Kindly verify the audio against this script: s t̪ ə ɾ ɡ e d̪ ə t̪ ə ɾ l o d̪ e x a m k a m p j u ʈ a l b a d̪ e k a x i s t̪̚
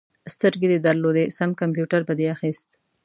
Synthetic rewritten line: s t̪ ə ɾ ɡ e d̪ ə d̪ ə ɾ l o d̪ e s a m k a m p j u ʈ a ɾ b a d̪ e a x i s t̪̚